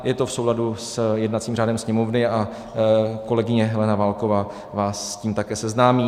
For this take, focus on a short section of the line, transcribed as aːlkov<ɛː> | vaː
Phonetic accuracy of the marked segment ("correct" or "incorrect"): incorrect